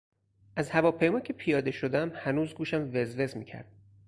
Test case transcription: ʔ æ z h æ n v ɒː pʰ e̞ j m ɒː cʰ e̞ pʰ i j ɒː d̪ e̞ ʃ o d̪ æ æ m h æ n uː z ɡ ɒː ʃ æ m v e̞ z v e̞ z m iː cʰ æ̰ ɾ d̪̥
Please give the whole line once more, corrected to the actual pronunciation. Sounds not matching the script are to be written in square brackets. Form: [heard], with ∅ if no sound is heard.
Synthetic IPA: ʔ æ z h æ [∅] v ɒː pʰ e̞ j m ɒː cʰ e̞ pʰ i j ɒː d̪ e̞ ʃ o d̪ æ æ m h æ n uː z ɡ [uː] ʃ æ m v e̞ z v e̞ z m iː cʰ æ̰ ɾ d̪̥